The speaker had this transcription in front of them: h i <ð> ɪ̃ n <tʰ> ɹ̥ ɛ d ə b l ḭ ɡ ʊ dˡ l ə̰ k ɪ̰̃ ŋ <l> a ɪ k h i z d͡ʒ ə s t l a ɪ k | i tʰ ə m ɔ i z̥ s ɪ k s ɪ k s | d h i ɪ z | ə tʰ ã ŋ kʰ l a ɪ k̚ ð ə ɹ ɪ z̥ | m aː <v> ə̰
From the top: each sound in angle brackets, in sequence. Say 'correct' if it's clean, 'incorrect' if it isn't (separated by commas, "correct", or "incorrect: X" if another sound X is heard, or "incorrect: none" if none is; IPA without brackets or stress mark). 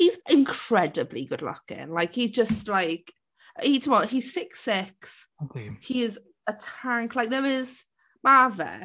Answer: incorrect: z, incorrect: kʰ, correct, correct